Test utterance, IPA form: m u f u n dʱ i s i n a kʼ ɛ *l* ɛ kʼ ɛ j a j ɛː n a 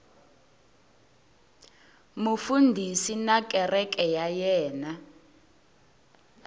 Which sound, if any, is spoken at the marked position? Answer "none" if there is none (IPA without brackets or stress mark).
r